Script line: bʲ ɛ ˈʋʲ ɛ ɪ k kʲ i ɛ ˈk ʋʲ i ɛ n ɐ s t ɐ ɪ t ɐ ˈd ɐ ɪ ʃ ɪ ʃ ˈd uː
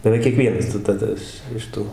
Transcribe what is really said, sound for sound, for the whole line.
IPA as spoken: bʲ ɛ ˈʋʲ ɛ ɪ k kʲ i ɛ ˈk ʋʲ i ɛ n ɐ s t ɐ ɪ t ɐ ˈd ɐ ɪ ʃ ɪ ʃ ˈt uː